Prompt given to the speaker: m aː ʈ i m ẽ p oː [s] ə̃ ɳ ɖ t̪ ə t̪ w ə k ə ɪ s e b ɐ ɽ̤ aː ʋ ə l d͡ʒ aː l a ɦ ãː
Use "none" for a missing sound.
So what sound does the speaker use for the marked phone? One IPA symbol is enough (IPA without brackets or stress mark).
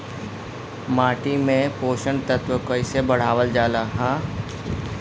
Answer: ʃ